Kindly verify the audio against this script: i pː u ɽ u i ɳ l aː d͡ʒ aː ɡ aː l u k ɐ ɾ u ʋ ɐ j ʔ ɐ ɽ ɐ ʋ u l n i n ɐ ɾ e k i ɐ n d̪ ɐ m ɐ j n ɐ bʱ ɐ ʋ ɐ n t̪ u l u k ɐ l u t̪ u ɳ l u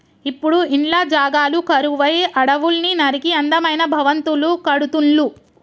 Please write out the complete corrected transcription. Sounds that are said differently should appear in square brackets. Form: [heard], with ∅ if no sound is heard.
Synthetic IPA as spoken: i pː u ɽ u i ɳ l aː d͡ʒ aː ɡ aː l u k ɐ ɾ u ʋ ɐ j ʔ ɐ ɽ ɐ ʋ u l n i n ɐ ɾ [i] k i ɐ n d̪ ɐ m ɐ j n ɐ bʱ ɐ ʋ ɐ n t̪ u l u k ɐ [ɽ] u t̪ u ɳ l u